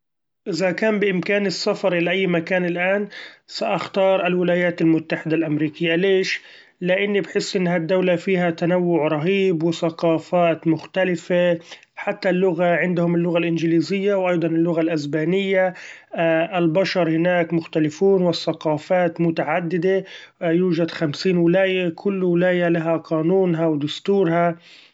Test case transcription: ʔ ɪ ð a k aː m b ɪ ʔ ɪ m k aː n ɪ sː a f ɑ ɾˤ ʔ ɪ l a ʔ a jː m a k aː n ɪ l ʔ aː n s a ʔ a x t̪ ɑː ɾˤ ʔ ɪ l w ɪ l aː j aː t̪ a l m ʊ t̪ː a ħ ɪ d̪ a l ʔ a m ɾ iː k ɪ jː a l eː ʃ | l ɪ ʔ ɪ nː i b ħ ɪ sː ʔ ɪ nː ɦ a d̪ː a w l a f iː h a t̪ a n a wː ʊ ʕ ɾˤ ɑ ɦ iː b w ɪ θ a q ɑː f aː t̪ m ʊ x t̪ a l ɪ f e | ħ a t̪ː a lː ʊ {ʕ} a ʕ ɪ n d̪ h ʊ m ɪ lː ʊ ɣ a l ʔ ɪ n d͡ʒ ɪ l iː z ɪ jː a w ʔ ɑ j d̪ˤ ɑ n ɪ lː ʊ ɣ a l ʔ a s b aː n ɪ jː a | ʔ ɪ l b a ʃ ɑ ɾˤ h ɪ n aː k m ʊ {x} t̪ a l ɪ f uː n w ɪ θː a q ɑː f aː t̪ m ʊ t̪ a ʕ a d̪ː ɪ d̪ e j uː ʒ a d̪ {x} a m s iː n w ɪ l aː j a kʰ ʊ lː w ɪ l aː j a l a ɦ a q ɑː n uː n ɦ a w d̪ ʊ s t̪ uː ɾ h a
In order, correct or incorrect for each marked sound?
incorrect: ɣ, correct, correct

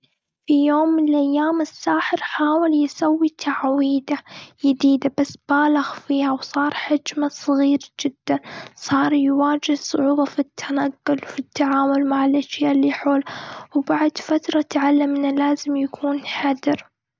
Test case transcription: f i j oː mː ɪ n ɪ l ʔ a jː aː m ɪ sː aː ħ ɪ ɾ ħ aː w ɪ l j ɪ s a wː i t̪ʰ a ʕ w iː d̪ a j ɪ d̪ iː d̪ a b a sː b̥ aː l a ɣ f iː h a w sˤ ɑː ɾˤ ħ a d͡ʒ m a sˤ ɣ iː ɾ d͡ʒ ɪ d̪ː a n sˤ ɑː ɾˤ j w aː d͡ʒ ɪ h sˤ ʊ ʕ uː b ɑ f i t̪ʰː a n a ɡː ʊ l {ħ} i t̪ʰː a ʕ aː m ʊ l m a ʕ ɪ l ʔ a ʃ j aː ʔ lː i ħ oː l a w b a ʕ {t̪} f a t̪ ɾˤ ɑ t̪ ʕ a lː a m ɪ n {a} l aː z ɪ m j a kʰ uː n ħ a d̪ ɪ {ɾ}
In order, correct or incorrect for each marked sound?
incorrect: f, incorrect: d̪, correct, correct

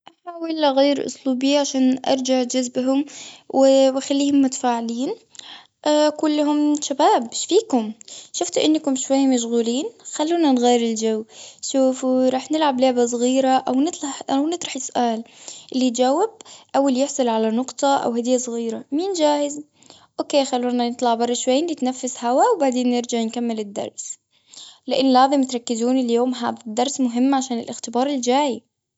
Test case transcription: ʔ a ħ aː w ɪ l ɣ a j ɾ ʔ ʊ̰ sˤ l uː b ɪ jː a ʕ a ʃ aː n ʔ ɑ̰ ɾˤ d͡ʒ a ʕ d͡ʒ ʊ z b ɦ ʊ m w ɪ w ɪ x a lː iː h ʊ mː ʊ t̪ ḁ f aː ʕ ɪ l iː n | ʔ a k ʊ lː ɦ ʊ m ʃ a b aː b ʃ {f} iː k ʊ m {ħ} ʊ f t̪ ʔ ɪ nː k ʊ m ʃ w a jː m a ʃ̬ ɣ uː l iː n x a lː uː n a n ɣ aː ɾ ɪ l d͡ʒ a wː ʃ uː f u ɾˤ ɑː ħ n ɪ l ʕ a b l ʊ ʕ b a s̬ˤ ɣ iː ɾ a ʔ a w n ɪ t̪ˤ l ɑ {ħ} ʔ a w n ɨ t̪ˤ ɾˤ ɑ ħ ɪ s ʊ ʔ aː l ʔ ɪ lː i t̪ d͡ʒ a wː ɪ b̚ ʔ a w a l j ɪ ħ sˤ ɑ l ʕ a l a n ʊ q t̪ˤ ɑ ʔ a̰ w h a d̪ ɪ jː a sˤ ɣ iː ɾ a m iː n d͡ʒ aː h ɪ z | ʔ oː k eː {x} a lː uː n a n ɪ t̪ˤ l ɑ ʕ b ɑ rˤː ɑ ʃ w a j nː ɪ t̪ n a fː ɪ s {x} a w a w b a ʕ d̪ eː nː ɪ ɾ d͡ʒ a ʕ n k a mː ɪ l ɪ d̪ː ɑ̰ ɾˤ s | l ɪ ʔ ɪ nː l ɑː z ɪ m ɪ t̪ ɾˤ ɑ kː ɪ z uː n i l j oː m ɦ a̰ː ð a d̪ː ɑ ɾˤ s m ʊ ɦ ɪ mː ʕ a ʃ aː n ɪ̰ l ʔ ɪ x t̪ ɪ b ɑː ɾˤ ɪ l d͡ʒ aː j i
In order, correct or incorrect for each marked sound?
correct, incorrect: ʃ, correct, correct, incorrect: h

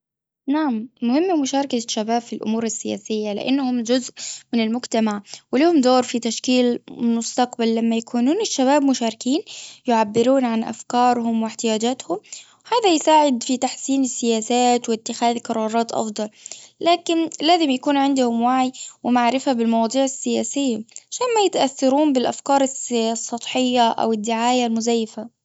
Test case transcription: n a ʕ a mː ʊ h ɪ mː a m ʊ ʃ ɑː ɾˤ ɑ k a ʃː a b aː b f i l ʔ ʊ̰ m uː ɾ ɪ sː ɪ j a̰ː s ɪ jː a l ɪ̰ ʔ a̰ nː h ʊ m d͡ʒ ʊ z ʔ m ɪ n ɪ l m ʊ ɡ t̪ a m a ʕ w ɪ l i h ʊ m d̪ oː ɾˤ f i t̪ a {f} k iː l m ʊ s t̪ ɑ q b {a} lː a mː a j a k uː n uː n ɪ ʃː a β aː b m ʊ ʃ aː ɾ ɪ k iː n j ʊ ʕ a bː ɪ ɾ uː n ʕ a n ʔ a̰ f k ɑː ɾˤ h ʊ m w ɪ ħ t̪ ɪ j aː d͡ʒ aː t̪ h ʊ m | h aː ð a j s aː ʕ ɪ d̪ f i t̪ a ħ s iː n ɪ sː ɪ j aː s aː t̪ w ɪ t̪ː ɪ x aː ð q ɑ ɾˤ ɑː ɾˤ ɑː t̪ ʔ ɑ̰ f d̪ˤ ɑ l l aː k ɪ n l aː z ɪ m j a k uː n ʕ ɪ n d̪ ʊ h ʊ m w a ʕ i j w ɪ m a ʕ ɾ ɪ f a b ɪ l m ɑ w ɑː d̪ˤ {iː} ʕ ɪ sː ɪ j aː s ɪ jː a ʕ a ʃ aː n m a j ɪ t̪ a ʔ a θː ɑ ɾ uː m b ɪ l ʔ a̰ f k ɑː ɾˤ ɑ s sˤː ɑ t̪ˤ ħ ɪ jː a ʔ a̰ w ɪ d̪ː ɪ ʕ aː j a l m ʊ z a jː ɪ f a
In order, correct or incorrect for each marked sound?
incorrect: ʃ, correct, correct

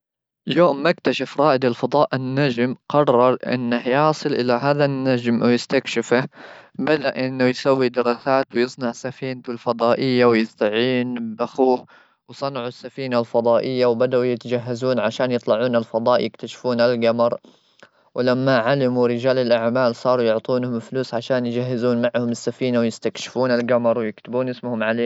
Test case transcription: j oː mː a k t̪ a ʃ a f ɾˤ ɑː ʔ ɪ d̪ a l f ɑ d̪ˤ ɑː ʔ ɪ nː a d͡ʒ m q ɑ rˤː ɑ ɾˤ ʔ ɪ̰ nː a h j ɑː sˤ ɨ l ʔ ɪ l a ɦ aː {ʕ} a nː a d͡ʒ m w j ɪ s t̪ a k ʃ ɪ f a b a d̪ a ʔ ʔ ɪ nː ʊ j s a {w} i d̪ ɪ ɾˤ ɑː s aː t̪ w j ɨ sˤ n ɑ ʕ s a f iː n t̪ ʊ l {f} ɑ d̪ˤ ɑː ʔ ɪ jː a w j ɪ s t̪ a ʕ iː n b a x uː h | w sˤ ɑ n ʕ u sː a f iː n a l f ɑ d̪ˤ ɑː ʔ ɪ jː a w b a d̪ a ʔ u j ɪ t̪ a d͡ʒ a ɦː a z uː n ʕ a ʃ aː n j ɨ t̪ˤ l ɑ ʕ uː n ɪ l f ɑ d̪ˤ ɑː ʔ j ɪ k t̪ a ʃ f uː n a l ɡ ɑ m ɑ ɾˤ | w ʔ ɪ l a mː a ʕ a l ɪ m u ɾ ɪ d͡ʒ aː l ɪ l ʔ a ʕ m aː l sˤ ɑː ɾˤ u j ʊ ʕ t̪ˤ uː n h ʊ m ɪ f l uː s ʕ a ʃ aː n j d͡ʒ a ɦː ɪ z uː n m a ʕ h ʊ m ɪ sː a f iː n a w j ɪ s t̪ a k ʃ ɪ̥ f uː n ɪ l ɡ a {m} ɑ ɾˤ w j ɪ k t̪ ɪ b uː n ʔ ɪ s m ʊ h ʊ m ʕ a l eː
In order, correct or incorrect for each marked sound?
incorrect: ð, incorrect: wː, correct, correct

